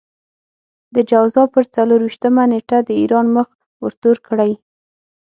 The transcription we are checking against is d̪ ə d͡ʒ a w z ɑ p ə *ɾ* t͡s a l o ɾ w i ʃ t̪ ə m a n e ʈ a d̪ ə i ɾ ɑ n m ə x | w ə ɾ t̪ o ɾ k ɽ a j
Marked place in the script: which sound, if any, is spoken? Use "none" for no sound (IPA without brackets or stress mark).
ɾ